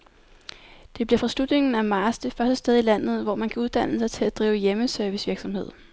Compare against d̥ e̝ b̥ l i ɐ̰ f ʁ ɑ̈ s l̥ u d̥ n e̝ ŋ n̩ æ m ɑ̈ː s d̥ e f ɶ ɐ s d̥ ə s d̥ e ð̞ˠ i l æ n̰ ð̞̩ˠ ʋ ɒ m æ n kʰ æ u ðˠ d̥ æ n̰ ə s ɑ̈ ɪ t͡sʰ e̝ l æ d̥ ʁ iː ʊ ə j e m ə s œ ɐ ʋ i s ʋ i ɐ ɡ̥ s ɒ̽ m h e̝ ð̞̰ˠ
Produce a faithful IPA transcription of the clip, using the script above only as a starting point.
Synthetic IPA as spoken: d̥ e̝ b̥ l i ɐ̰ f ʁ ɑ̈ s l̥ u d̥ n e̝ ŋ n̩ æ m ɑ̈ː s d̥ e f ɶ ɐ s d̥ ə s d̥ e ð̞ˠ i l æ n̰ ð̞̩ˠ ʋ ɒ m æ n kʰ æ u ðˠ d̥ æ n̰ ə s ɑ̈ ɪ t͡sʰ e̝ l æ d̥ ʁ iː ʊ ə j e m ə s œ ɐ ʋ i s ʋ i ɐ ɡ̥ s ɒ̽ m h e̝ ð̞̰ˠ